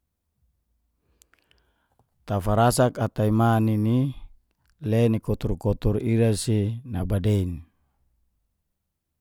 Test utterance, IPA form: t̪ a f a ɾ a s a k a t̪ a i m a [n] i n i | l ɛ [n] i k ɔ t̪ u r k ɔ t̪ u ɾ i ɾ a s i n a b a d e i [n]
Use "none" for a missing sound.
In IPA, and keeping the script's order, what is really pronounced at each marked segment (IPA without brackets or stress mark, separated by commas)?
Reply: n, n, n